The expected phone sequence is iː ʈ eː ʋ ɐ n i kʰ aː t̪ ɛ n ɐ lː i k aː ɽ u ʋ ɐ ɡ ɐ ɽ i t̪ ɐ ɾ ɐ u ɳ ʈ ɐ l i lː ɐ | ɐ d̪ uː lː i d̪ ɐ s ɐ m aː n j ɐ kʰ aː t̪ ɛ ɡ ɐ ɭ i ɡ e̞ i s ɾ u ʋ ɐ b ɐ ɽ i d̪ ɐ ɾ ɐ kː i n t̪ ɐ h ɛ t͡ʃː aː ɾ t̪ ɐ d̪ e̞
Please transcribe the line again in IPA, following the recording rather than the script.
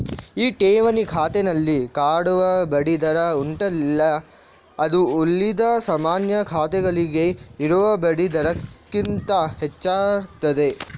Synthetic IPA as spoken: iː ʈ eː ʋ ɐ n i kʰ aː t̪ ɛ n ɐ lː i k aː ɽ u ʋ ɐ b ɐ ɽ i d̪ ɐ ɾ ɐ u ɳ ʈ ɐ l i lː ɐ | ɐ d̪ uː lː i d̪ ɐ s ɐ m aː n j ɐ kʰ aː t̪ ɛ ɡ ɐ ɭ i ɡ e̞ i ɾ u ʋ ɐ b ɐ ɽ i d̪ ɐ ɾ ɐ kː i n t̪ ɐ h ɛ t͡ʃː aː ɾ t̪ ɐ d̪ e̞